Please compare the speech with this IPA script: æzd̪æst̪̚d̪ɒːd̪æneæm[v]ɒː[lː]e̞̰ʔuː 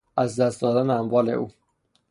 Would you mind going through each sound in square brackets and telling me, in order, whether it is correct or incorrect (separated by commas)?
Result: correct, incorrect